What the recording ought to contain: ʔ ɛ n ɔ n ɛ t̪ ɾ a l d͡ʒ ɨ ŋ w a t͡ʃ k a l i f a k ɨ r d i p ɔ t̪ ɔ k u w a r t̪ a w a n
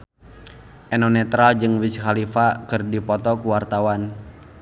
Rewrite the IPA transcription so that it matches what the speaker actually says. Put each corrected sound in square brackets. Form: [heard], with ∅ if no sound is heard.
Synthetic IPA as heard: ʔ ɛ n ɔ n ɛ t̪ ɾ a l d͡ʒ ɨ ŋ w [i] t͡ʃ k a l i f a k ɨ r d i p ɔ t̪ ɔ k u w a r t̪ a w a n